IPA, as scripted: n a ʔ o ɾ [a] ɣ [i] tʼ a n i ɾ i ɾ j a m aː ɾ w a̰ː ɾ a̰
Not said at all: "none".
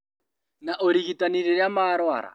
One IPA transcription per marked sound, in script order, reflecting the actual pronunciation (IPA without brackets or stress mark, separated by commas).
i, i